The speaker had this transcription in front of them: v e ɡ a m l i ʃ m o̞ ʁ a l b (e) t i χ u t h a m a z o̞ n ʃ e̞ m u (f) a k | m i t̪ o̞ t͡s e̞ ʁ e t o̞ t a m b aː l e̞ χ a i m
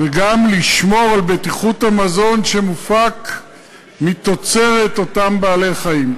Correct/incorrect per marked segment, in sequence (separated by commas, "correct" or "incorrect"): correct, correct